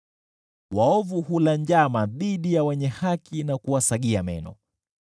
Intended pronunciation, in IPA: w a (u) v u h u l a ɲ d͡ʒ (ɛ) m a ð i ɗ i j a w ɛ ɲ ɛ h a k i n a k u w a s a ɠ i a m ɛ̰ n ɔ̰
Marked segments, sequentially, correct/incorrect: incorrect: ɔ, incorrect: a

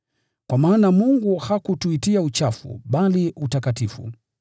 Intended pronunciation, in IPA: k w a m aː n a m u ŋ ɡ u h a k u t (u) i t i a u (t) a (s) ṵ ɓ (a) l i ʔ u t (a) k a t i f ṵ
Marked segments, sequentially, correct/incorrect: correct, incorrect: t͡ʃ, incorrect: f, correct, correct

